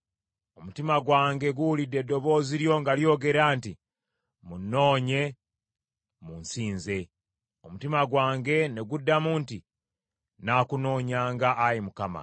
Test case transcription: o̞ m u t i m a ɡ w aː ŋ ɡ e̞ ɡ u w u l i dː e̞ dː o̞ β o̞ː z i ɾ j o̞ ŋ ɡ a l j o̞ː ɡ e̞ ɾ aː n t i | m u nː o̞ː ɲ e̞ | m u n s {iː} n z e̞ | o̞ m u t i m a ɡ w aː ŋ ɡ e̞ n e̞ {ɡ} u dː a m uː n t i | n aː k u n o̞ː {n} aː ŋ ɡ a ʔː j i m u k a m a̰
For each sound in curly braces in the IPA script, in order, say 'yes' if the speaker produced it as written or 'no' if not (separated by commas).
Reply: yes, yes, no